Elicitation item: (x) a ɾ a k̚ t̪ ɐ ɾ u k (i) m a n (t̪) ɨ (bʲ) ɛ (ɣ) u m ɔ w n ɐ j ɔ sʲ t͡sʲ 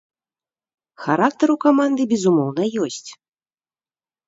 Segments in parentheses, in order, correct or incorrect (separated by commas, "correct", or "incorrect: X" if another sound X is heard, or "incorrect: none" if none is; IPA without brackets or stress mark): correct, incorrect: a, incorrect: d̪, correct, incorrect: z